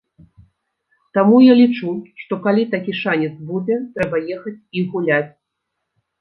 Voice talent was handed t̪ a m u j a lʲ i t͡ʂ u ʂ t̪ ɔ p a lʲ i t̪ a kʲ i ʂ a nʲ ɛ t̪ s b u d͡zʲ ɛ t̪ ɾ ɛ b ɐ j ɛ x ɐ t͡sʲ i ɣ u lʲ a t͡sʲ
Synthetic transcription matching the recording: t̪ a m u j a lʲ i t͡ʂ u ʂ t̪ ɔ k a lʲ i t̪ a kʲ i ʂ a nʲ ɛ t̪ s b u d͡zʲ ɛ t̪ ɾ ɛ b ɐ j ɛ x ɐ t͡sʲ i ɣ u lʲ a t͡sʲ

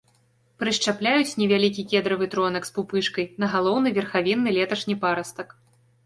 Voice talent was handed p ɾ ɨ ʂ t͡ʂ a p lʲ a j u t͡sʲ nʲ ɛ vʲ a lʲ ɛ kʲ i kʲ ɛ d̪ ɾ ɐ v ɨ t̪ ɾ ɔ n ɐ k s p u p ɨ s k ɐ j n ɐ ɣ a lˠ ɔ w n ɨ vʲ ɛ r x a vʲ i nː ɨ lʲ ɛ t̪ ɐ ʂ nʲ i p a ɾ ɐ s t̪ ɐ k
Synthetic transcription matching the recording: p ɾ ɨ ʂ t͡ʂ a p lʲ a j u t͡sʲ nʲ ɛ vʲ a lʲ i kʲ i kʲ ɛ d̪ ɾ ɐ v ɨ t̪ ɾ ɔ n ɐ k s p u p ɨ ʂ k ɐ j n ɐ ɣ a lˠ ɔ w n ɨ vʲ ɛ r x a vʲ i nː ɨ lʲ ɛ t̪ ɐ ʂ nʲ i p a ɾ ɐ s t̪ ɐ k

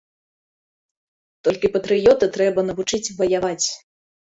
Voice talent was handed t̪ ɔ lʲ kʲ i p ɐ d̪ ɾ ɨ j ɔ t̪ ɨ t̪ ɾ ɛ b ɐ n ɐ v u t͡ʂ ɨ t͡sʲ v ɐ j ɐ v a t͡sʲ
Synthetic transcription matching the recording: t̪ ɔ lʲ kʲ i p ɐ t̪ ɾ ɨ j ɔ t̪ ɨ t̪ ɾ ɛ b ɐ n ɐ v u t͡ʂ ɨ t͡sʲ v ɐ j a v a t͡sʲ

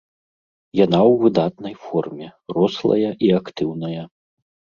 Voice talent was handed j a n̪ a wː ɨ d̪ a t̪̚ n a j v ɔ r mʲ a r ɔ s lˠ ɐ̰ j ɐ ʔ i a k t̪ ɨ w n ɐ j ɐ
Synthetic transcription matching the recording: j a n̪ a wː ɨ d̪ a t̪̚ n ɐ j f ɔ r mʲ ɛ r ɔ s lˠ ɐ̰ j ɐ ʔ i a k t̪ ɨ w n ɐ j ɐ

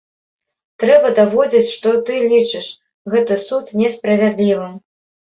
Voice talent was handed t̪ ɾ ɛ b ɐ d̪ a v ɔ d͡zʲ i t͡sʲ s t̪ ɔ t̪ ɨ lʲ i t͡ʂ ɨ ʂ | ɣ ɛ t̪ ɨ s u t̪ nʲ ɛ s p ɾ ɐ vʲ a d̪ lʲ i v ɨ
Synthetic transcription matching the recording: t̪ ɾ ɛ b ɐ d̪ a v ɔ d͡zʲ i t͡sʲ ʂ t̪ ɔ t̪ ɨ lʲ i t͡ʂ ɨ ʂ | ɣ ɛ t̪ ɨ s u t̪ nʲ ɛ s p ɾ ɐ vʲ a d̪ lʲ i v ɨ

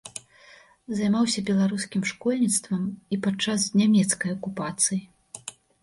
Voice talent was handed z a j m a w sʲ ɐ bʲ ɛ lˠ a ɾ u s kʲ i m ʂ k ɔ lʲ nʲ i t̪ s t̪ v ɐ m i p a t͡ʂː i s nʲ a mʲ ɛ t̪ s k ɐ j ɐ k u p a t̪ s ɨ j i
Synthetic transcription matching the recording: z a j m a w sʲ ɐ bʲ ɛ lˠ a ɾ u s kʲ i m ʂ k ɔ lʲ nʲ i t̪ s t̪ v ɐ m i p a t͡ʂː a s nʲ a mʲ ɛ t̪ s k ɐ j ɐ k u p a t̪ s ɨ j i

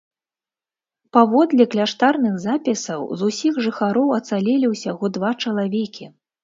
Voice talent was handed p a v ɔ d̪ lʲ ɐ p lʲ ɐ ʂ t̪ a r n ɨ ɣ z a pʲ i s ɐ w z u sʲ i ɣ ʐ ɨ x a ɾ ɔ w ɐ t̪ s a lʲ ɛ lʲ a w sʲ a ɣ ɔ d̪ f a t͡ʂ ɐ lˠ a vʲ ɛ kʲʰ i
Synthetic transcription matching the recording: p a v ɔ d̪ lʲ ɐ k lʲ a ʂ t̪ a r n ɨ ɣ z a pʲ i s ɐ w z u sʲ i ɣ ʐ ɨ x a ɾ ɔ w ɐ t̪ s a lʲ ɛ lʲ i w sʲ a ɣ ɔ d̪ v a t͡ʂ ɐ lˠ a vʲ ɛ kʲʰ i

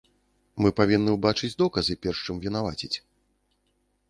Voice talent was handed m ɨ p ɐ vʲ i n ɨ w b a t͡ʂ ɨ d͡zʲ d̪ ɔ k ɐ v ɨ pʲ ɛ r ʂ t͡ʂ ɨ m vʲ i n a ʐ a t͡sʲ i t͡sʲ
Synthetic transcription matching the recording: m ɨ p a vʲ i nː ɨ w b a t͡ʂ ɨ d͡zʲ d̪ ɔ k ɐ z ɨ pʲ ɛ r ʂ t͡ʂ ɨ m vʲ i n a v a t͡sʲ i t͡sʲ

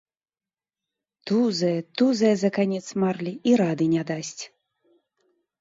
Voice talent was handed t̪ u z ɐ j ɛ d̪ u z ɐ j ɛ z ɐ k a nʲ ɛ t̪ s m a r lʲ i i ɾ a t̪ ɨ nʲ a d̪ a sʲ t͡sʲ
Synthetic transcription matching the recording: t̪ u z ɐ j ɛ t̪ u z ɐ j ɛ z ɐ k a nʲ ɛ t̪ s m a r lʲ i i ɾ a d̪ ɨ nʲ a d̪ a sʲ t͡sʲ

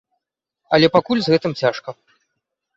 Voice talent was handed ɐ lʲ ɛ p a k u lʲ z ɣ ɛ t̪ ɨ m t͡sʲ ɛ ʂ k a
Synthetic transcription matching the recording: ɐ lʲ ɛ p a k u lʲ z ɣ ɛ t̪ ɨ m t͡sʲ a ʂ k ɐ

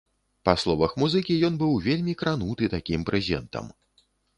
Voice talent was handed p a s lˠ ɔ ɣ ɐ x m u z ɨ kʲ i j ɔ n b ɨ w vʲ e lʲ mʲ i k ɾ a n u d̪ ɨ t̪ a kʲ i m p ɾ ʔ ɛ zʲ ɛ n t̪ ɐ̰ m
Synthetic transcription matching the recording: p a s lˠ ɔ v ɐ x m u z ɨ kʲ i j ɔ n b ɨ w vʲ e lʲ mʲ i k ɾ a n u t̪ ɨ t̪ a kʲ i m p ɾ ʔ ɛ zʲ ɛ n t̪ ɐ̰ m

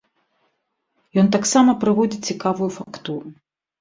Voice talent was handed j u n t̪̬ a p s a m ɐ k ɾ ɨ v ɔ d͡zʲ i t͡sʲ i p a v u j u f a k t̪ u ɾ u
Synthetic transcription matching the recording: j ɔ n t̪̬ a k s a m ɐ p ɾ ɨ v ɔ d͡zʲ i t͡sʲ i k a v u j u f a k t̪ u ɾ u

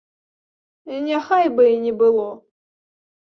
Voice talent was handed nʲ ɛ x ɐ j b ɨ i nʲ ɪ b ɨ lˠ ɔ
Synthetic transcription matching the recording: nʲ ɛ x a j b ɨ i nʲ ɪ b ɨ lˠ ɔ

